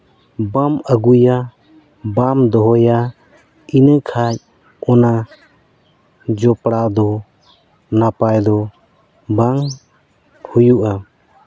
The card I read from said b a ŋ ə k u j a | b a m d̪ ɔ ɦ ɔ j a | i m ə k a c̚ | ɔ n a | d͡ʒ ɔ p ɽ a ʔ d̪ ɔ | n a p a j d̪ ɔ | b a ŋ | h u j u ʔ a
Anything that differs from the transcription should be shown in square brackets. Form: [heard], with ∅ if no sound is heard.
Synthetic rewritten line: b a [m] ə [ɡ] u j a | b a m d̪ ɔ ɦ ɔ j a | i [n] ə [kʰ] a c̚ | ɔ n a | d͡ʒ ɔ p ɽ a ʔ d̪ ɔ | n a p a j d̪ ɔ | b a ŋ | h u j u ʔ a